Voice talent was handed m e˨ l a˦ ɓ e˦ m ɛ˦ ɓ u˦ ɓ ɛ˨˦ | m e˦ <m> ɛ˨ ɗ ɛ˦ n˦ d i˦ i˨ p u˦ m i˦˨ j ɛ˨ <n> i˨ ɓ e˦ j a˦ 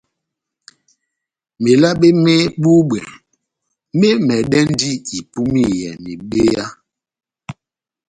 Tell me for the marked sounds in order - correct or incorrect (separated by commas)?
correct, correct